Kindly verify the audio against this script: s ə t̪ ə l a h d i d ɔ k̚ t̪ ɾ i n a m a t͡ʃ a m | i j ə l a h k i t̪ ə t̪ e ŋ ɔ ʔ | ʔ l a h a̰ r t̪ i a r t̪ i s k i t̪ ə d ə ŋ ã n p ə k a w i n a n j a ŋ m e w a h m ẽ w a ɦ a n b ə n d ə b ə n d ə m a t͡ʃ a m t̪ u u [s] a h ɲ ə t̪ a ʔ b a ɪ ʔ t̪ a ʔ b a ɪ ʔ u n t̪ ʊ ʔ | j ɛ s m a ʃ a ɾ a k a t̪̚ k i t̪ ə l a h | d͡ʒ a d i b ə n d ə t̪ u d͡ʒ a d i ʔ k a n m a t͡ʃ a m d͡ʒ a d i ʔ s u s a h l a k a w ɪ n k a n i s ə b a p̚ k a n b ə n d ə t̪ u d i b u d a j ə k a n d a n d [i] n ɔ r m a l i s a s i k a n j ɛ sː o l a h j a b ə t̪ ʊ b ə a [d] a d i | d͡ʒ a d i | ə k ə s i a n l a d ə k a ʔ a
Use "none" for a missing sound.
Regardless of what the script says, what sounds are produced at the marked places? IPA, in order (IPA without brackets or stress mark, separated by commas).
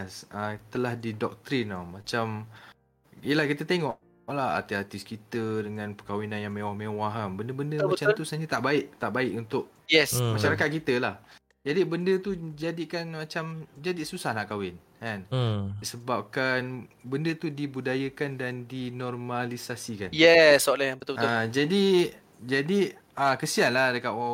s, i, d͡ʒ